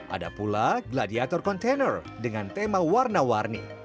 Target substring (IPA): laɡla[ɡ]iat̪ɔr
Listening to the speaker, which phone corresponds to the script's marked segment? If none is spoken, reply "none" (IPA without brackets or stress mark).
d